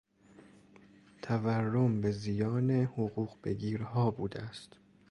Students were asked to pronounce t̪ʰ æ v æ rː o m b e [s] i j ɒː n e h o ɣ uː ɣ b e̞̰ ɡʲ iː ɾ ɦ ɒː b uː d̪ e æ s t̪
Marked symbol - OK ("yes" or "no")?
no